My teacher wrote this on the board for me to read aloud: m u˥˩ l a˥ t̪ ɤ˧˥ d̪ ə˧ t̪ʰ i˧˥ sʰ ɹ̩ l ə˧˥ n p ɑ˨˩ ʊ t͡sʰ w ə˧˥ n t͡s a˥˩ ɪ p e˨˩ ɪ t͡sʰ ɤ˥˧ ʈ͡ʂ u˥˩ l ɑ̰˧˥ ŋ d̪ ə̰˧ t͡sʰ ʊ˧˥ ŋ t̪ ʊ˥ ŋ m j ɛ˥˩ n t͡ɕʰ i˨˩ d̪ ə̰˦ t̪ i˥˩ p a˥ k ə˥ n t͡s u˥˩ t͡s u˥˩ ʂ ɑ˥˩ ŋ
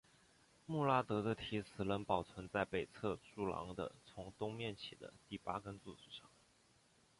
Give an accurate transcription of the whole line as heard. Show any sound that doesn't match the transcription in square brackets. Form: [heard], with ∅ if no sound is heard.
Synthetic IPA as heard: m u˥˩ l a˥ t̪ ɤ˧˥ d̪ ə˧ t̪ʰ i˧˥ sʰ ɹ̩ l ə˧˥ n p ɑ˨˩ ʊ t͡sʰ w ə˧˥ n t͡s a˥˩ ɪ p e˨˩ ɪ t͡sʰ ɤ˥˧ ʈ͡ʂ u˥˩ l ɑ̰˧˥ ŋ d̪ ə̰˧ t͡sʰ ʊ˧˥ ŋ t̪ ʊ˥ ŋ m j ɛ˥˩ n t͡ɕʰ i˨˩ d̪ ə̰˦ t̪ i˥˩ p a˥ k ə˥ n t͡s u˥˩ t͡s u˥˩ ʂ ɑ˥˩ ŋ